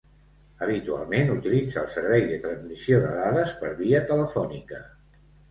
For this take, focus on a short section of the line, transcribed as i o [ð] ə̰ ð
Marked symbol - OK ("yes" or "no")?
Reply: yes